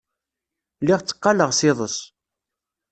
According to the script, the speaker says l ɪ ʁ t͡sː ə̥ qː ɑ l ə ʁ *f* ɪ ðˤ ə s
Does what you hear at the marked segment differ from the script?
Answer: yes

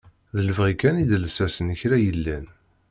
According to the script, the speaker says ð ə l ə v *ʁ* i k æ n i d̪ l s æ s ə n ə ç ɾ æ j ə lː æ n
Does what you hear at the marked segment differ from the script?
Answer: no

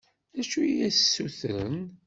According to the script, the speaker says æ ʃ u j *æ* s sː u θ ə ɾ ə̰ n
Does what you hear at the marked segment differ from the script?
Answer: no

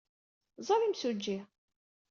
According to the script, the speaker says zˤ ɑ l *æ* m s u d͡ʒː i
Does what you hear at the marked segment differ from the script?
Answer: yes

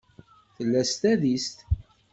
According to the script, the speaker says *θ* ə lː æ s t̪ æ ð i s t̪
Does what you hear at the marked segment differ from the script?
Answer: no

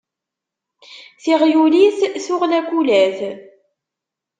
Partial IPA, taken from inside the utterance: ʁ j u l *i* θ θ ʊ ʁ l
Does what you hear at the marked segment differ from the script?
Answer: no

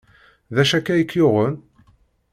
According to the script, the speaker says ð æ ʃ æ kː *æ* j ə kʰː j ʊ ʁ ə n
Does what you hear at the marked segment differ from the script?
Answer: no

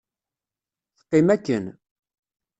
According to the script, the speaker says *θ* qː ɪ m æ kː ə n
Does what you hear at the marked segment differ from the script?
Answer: no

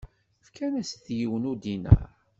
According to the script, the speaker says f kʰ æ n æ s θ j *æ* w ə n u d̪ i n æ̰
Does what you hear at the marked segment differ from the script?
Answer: yes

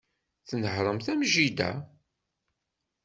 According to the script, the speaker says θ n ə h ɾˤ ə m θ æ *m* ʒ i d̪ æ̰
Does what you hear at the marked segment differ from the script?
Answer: no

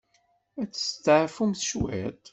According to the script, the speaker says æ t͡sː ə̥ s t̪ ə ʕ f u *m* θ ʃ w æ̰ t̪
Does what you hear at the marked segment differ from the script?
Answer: no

